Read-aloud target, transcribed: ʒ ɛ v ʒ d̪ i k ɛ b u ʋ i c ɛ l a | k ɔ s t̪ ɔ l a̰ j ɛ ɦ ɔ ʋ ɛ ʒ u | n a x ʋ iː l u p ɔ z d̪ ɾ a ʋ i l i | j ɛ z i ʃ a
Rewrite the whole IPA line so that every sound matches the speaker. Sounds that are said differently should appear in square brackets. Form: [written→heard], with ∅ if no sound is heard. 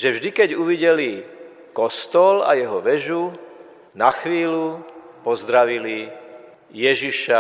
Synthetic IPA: ʒ ɛ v ʒ d̪ i k ɛ [b→ɟ] u ʋ i [c→ɟ] ɛ l [a→i] | k ɔ s t̪ ɔ l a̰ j ɛ ɦ ɔ ʋ ɛ ʒ u | n a x ʋ iː l u p ɔ z d̪ ɾ a ʋ i l i | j ɛ [z→ʒ] i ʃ a